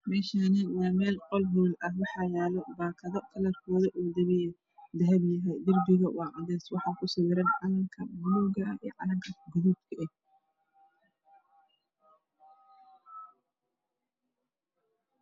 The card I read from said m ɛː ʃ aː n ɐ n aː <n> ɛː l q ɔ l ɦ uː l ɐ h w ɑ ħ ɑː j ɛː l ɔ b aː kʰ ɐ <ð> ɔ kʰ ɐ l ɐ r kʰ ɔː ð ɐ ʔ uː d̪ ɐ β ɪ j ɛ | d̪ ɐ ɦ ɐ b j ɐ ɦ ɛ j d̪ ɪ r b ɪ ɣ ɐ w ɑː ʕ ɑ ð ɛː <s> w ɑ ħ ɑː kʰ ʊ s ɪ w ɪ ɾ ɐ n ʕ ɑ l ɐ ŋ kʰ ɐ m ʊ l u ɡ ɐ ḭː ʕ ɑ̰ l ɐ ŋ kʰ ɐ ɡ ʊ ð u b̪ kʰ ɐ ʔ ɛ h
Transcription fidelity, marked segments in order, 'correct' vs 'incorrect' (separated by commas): incorrect, correct, correct